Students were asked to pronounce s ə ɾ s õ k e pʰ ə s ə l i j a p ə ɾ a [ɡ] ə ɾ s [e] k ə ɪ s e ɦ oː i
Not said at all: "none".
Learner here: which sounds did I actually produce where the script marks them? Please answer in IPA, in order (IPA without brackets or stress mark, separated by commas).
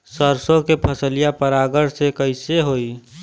ɡ, e